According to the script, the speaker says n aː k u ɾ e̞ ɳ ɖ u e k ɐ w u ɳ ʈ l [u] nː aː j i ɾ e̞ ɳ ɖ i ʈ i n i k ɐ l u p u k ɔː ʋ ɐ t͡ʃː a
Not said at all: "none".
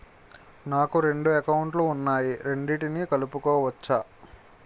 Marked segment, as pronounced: uː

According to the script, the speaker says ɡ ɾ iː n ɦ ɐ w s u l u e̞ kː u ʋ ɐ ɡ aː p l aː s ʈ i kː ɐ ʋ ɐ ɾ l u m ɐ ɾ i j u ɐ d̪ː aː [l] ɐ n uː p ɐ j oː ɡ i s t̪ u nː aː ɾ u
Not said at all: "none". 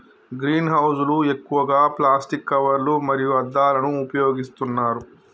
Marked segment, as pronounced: l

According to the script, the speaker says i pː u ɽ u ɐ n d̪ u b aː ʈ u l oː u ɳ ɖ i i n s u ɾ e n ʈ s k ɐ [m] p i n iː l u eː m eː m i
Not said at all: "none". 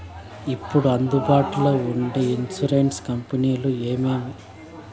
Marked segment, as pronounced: m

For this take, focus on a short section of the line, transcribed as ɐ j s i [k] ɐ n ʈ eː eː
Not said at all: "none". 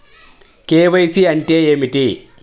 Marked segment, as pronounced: none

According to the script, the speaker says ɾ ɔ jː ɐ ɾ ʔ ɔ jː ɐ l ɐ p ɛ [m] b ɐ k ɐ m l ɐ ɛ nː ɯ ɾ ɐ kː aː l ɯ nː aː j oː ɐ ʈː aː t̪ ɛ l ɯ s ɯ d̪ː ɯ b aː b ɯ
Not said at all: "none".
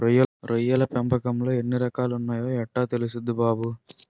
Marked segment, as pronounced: m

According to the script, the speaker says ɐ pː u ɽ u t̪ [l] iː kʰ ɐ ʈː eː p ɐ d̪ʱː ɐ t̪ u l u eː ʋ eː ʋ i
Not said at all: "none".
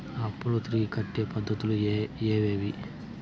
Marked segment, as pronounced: ɾ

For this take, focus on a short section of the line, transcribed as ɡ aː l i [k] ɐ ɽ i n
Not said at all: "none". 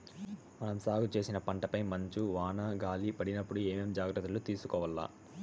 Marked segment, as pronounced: p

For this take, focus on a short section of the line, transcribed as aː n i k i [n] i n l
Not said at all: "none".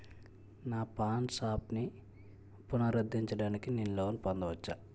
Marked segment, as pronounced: n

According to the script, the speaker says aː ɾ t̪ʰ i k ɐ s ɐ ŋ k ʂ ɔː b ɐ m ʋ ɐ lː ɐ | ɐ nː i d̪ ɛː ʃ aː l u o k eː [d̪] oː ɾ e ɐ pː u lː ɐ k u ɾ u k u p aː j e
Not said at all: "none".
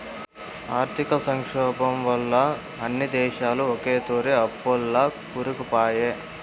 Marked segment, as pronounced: t̪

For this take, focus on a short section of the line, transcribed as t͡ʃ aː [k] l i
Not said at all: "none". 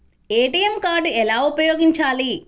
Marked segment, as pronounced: none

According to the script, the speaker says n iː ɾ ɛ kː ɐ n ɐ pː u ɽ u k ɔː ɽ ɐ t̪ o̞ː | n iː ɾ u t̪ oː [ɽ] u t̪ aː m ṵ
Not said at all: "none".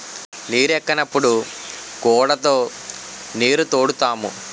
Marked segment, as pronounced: ɽ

